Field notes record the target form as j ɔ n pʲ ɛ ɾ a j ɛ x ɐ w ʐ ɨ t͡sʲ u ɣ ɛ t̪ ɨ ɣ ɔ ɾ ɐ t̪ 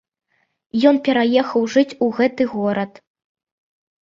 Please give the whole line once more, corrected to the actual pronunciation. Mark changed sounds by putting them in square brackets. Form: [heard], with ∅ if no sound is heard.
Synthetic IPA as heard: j ɔ n pʲ ɛ ɾ a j ɛ x ɐ w ʐ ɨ t͡sʲ u ɣ ɛ t̪ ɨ ɣ ɔ ɾ ɐ t̪